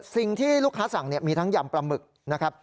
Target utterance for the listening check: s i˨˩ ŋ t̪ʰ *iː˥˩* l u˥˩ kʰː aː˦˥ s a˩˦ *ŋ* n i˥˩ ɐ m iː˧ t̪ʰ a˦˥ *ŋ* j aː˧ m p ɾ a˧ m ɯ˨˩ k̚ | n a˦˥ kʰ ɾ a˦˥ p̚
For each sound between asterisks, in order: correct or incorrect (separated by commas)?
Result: correct, correct, correct